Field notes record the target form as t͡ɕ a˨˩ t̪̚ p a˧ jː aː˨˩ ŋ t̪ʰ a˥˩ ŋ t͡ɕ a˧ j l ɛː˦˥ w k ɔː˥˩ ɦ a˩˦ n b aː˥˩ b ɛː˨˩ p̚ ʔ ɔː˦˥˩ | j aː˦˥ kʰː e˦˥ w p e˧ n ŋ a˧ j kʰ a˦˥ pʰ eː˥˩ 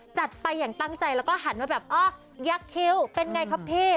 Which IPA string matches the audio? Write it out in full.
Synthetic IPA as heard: t͡ɕ a˨˩ t̪̚ p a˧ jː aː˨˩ ŋ t̪ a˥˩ ŋ t͡ɕ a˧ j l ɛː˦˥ w k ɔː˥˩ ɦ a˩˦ n w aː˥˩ b ɛː˨˩ p̚ ʔ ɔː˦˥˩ | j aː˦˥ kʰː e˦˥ w p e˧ n ŋ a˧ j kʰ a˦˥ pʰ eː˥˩